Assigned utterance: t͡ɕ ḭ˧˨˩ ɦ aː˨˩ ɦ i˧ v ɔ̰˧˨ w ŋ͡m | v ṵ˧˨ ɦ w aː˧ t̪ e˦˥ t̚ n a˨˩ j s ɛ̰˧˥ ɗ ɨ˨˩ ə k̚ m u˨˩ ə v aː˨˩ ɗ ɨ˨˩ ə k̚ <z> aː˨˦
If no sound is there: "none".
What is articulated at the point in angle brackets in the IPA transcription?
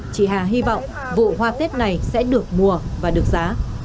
z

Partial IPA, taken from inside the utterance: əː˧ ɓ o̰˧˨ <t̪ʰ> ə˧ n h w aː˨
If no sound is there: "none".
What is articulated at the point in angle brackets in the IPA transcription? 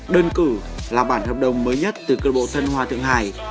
t̪ʰ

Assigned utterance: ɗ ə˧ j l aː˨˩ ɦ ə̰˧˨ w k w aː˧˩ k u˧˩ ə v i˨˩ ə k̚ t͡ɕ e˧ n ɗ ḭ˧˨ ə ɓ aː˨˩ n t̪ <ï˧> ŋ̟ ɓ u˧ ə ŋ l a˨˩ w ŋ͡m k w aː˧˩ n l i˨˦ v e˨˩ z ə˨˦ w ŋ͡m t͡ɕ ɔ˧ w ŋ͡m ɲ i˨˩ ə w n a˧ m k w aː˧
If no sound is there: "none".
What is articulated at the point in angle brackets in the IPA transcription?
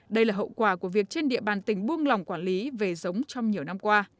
ï˧˩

